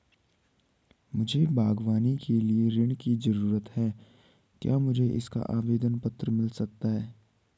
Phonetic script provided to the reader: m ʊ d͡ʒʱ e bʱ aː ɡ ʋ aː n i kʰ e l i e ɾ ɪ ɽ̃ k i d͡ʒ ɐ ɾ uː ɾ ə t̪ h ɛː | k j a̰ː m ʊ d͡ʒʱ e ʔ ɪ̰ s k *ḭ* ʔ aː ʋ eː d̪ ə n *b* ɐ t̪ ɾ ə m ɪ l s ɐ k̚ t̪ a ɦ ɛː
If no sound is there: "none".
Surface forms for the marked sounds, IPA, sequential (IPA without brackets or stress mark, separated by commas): a̰, p